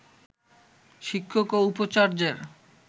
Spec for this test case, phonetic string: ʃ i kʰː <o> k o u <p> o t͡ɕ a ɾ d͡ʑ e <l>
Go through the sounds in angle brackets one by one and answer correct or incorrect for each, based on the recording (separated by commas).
correct, correct, incorrect